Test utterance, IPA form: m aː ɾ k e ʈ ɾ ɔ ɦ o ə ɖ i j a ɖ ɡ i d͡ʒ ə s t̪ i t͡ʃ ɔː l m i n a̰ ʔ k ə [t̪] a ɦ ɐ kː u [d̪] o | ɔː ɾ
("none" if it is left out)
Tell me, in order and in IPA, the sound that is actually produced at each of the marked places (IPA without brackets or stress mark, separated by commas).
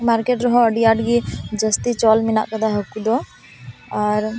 d̪, d̪